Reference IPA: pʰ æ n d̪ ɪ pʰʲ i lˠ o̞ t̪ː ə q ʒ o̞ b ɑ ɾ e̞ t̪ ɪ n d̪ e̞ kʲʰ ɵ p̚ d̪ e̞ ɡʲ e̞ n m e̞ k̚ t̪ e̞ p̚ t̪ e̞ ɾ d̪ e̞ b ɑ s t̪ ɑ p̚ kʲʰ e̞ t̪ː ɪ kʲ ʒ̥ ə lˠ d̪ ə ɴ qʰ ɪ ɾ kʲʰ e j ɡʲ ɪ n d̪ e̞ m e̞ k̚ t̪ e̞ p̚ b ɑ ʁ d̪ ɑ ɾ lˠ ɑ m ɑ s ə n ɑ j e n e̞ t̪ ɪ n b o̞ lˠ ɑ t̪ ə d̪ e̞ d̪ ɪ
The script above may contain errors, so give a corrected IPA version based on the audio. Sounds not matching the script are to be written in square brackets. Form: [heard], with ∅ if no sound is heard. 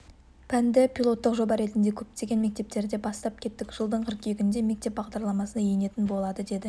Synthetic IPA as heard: pʰ æ n d̪ ɪ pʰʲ i lˠ o̞ t̪ː ə q ʒ o̞ b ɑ ɾ e̞ t̪ ɪ n d̪ e̞ kʲʰ ɵ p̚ [t̪] e̞ ɡʲ e̞ n m e̞ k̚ t̪ e̞ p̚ t̪ e̞ ɾ d̪ e̞ b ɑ s t̪ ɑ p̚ kʲʰ e̞ t̪ː ɪ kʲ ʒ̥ ə lˠ d̪ ə ɴ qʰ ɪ ɾ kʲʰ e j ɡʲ ɪ n d̪ e̞ m e̞ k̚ t̪ e̞ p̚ b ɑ ʁ d̪ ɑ ɾ lˠ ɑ m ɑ s ə n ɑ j e n e̞ t̪ ɪ n b o̞ lˠ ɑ [d̪] ə d̪ e̞ d̪ ɪ